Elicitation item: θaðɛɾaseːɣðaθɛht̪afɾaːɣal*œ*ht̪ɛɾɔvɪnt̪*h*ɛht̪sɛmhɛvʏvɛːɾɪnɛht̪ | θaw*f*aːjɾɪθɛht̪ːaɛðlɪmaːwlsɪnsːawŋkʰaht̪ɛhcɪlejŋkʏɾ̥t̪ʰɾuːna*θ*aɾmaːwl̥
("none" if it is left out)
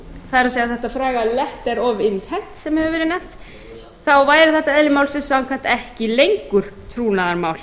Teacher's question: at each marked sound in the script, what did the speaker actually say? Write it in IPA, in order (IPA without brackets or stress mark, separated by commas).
ɛ, h, v, ð